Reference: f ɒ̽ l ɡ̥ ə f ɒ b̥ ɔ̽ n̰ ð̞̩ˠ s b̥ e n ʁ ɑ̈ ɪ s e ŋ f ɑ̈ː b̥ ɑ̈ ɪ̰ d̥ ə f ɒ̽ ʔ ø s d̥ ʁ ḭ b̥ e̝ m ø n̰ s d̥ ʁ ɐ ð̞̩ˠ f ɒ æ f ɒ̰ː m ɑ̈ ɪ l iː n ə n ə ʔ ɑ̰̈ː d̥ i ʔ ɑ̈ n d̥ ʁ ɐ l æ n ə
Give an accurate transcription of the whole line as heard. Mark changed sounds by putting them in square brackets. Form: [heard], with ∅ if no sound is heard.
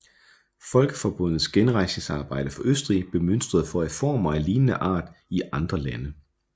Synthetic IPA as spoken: f ɒ̽ l ɡ̥ ə f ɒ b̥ ɔ̽ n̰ ð̞̩ˠ s [ɡ̥] e n ʁ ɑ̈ ɪ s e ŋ [s] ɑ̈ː b̥ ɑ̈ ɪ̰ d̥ ə f ɒ̽ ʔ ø s d̥ ʁ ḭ b̥ e̝ m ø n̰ s d̥ ʁ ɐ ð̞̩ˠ f ɒ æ f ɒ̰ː m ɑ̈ ɪ l iː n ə n ə ʔ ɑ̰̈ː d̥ i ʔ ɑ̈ n d̥ ʁ ɐ l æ n ə

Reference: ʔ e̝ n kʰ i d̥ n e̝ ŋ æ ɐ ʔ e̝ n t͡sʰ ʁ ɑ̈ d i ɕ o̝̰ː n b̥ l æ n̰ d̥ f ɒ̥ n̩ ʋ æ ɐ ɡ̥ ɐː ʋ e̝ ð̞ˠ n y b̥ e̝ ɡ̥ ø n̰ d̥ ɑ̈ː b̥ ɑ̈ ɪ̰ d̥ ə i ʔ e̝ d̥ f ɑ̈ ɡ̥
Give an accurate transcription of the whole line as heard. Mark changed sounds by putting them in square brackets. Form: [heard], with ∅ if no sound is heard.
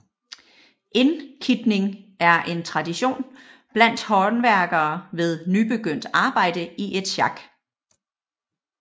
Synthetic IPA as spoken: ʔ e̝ n kʰ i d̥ n e̝ ŋ æ ɐ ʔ e̝ n t͡sʰ ʁ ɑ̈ d i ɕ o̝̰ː n b̥ l æ n̰ d̥ [h] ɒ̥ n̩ ʋ æ ɐ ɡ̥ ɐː ʋ e̝ ð̞ˠ n y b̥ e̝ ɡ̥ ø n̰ d̥ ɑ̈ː b̥ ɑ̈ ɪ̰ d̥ ə i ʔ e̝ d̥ [ɕ] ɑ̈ ɡ̥

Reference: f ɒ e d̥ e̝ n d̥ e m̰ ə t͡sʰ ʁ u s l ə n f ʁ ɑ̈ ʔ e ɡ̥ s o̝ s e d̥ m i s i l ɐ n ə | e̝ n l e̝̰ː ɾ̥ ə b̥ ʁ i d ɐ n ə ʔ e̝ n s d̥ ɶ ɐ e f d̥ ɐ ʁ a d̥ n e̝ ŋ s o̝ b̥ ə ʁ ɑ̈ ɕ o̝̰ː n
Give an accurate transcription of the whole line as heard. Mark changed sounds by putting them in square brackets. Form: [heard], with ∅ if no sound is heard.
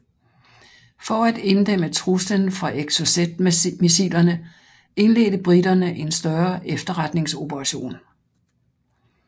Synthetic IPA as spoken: f ɒ [æ] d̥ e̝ n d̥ e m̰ ə t͡sʰ ʁ u s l ə n f ʁ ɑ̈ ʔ e ɡ̥ s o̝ s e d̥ m i s i l ɐ n ə | e̝ n l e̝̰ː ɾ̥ ə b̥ ʁ i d ɐ n ə ʔ e̝ n s d̥ ɶ ɐ e f d̥ ɐ ʁ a d̥ n e̝ ŋ s o̝ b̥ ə ʁ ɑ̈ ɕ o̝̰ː n

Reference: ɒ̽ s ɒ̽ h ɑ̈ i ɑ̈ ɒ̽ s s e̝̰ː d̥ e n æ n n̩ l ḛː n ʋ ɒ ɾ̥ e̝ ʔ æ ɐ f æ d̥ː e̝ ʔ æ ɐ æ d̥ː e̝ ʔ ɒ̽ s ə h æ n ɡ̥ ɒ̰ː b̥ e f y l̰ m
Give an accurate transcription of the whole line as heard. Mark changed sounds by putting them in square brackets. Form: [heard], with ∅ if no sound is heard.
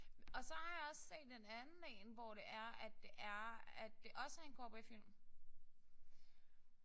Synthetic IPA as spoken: ɒ̽ s ɒ̽ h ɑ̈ [j] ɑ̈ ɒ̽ s s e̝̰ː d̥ e n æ n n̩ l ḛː n ʋ ɒ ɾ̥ e̝ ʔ æ ɐ [∅] æ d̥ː e̝ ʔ æ ɐ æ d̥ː e̝ ʔ ɒ̽ s ə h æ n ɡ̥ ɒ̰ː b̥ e f [i] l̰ m

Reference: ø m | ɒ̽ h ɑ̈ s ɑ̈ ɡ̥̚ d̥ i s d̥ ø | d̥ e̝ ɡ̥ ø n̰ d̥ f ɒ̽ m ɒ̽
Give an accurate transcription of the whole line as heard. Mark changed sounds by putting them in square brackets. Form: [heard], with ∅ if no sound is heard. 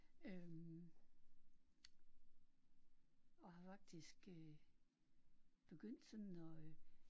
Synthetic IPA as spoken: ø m | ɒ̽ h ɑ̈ [f] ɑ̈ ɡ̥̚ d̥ i s [ɡ̥] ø | [b̥] e̝ ɡ̥ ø n̰ d̥ [s] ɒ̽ [n] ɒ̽

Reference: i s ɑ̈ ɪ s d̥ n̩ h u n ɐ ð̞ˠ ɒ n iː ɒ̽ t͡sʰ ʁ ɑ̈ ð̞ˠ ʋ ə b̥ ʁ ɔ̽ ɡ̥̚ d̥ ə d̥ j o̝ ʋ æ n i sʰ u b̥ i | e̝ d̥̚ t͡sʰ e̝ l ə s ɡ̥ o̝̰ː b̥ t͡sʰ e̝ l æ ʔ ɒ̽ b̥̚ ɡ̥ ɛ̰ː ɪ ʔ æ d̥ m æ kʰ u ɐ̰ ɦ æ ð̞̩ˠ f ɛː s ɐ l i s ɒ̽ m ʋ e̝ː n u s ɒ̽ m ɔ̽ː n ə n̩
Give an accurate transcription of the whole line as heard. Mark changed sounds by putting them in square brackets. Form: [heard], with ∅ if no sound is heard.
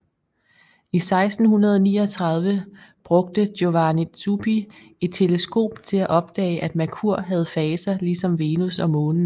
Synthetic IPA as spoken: i s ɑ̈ ɪ s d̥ n̩ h u n ɐ ð̞ˠ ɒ n iː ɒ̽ t͡sʰ ʁ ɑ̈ ð̞ˠ ʋ ə b̥ ʁ ɔ̽ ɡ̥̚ d̥ ə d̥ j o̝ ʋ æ n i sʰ u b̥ i | e̝ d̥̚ t͡sʰ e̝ l ə s ɡ̥ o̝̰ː b̥ t͡sʰ e̝ l æ ʔ ɒ̽ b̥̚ [d̥] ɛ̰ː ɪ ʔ æ d̥ m æ kʰ u ɐ̰ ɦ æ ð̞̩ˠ f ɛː s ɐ l i s ɒ̽ m ʋ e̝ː n u s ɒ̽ m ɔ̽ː n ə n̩

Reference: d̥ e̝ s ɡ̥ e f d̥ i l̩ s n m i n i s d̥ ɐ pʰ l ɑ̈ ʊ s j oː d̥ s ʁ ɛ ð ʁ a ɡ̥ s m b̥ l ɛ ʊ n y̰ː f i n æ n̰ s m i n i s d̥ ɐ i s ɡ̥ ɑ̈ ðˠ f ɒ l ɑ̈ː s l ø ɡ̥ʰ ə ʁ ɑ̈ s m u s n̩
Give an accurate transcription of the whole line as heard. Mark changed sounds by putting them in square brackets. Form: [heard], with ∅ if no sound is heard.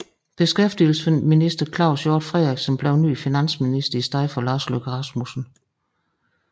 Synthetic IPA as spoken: [b̥] e̝ s ɡ̥ e f d̥ i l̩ s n m i n i s d̥ ɐ [kʰ] l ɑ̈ ʊ s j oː d̥ [f] ʁ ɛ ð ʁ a ɡ̥ s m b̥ l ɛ ʊ n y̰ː f i n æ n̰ s m i n i s d̥ ɐ i s [d̥] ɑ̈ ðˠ f ɒ l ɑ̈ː s l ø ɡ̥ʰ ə ʁ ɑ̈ s m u s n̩

